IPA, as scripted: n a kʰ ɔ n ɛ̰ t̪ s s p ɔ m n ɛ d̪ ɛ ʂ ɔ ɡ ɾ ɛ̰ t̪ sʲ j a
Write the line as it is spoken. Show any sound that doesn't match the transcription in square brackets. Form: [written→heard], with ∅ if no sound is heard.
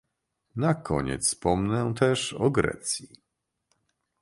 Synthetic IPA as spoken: n a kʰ ɔ [n→ɲ] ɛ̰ t̪ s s p ɔ m n ɛ [d̪→t̪] ɛ ʂ ɔ ɡ ɾ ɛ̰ t̪ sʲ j [a→i]